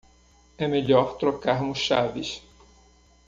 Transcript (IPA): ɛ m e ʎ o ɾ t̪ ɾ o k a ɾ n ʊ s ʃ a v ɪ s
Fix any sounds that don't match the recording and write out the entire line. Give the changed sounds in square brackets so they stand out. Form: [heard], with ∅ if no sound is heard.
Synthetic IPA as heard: ɛ m e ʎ [ɔ] ɾ t̪ ɾ o k a ɾ [m] ʊ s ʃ a v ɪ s